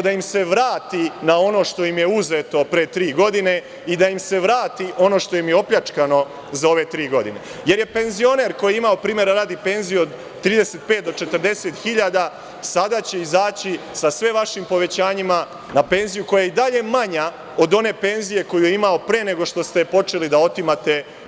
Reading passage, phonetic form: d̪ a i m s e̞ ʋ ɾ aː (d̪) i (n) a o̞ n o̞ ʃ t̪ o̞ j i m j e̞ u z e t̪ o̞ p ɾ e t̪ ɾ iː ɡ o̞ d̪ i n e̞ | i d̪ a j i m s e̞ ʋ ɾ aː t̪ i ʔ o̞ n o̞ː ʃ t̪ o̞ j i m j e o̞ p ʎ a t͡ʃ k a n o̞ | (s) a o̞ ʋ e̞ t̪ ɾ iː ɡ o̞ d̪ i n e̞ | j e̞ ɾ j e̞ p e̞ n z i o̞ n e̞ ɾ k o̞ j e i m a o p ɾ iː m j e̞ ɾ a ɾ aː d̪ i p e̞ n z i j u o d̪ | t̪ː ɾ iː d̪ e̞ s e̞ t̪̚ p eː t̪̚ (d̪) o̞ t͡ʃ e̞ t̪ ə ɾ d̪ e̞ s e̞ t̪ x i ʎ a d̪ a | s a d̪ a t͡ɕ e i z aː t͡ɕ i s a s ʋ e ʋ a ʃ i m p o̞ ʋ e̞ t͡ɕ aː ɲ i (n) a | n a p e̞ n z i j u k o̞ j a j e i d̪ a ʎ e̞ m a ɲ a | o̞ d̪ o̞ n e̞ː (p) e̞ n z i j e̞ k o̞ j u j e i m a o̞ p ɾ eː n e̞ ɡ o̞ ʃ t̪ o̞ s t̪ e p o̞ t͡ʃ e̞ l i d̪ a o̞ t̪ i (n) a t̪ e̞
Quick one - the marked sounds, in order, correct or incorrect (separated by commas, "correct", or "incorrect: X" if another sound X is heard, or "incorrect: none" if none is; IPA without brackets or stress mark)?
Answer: incorrect: t̪, correct, incorrect: z, correct, incorrect: m, correct, incorrect: m